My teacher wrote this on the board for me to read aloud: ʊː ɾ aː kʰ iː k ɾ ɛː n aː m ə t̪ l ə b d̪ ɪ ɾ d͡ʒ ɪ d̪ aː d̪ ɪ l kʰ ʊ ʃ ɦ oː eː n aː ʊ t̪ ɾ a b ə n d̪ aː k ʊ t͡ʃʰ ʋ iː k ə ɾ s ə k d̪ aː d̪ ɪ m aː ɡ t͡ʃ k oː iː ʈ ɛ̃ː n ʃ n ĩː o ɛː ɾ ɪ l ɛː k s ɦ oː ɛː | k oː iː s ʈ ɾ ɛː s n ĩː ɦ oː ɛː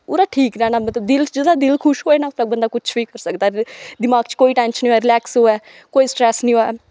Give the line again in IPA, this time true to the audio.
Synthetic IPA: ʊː ɾ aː ʈʰ iː k ɾ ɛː n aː m ə t̪ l ə b d̪ ɪ l d͡ʒ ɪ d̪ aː d̪ ɪ l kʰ ʊ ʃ ɦ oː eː n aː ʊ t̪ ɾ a b ə n d̪ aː k ʊ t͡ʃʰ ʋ iː k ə ɾ s ə k d̪ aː d̪ ɪ m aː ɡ t͡ʃ k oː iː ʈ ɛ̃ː n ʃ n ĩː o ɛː ɾ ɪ l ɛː k s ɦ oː ɛː | k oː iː s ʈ ɾ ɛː s n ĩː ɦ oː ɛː